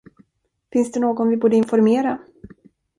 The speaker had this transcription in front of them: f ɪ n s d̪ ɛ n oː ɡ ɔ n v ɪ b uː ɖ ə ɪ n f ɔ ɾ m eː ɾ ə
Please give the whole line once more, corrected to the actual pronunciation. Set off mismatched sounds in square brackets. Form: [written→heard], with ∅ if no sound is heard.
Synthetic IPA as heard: f ɪ n s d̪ ɛ n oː ɡ ɔ n v ɪ b uː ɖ ə ɪ n f ɔ ɾ m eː ɾ [ə→a]

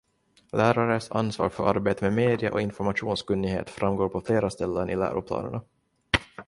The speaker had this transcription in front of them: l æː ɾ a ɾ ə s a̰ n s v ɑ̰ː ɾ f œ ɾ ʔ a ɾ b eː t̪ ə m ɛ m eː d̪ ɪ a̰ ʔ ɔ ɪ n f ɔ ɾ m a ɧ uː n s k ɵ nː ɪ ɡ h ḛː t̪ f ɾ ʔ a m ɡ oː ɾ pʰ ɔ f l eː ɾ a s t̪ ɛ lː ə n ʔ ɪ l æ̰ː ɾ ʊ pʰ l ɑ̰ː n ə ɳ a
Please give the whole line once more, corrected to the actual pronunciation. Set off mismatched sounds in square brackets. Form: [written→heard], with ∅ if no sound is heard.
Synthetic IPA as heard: l æː ɾ a ɾ ə s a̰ n s v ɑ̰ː ɾ f œ ɾ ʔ a ɾ b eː t̪ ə m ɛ m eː d̪ ɪ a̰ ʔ ɔ ɪ n f ɔ ɾ m a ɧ uː n s k ɵ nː ɪ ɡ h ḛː t̪ f ɾ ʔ a m ɡ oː ɾ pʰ ɔ f l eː ɾ a s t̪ ɛ lː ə n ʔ ɪ l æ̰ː ɾ ʊ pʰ l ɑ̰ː n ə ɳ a

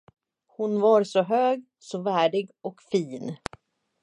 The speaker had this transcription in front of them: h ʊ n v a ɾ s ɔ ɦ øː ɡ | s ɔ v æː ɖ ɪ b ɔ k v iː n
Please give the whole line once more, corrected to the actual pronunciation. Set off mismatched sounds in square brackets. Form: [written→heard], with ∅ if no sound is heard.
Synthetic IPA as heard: h ʊ n v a ɾ s ɔ ɦ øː ɡ | s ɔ v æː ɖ ɪ [b→ɡ] ɔ k [v→f] iː n

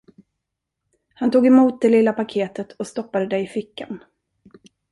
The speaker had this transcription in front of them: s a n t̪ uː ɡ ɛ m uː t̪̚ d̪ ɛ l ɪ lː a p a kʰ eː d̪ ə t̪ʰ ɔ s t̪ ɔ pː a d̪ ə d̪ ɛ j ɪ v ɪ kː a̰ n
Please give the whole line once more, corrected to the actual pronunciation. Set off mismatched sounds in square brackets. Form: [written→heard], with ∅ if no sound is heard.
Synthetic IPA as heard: [s→h] a n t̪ uː ɡ ɛ m uː t̪̚ d̪ ɛ l ɪ lː a p a kʰ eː [d̪→t̪] ə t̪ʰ ɔ s t̪ ɔ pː a d̪ ə d̪ ɛ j ɪ [v→f] ɪ kː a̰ n

